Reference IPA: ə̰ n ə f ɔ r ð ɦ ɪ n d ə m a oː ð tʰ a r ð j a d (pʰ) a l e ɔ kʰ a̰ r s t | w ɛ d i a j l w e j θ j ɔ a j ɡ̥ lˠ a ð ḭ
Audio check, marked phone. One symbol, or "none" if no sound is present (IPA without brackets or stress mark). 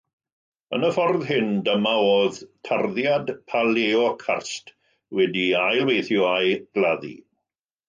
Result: pʰ